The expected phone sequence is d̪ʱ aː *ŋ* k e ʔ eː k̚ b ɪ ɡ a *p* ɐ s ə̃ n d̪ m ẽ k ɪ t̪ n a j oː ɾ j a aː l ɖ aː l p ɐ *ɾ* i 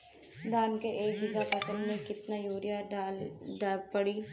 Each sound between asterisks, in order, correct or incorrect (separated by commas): incorrect, correct, incorrect